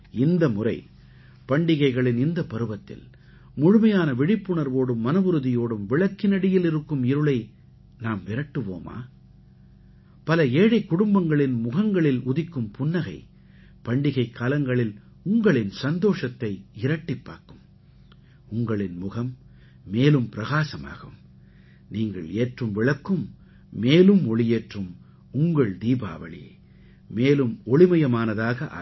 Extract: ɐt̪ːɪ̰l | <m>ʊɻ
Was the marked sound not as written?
no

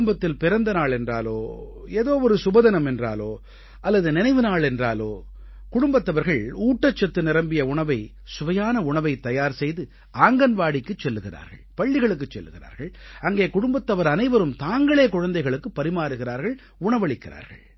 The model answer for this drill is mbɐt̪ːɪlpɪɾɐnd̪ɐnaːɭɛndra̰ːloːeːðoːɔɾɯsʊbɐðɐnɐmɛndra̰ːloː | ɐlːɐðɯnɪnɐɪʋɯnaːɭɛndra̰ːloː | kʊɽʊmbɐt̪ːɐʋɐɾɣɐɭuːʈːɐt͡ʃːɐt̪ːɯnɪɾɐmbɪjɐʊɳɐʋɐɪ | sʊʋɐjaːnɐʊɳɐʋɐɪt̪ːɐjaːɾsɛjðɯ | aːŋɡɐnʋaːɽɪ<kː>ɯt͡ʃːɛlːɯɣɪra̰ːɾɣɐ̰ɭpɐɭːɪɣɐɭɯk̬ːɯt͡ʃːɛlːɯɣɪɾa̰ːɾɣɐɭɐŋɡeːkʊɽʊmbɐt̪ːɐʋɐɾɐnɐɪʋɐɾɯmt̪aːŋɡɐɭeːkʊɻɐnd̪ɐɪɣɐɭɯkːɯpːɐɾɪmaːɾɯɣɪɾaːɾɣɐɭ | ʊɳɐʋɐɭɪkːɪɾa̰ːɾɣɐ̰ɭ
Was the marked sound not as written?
no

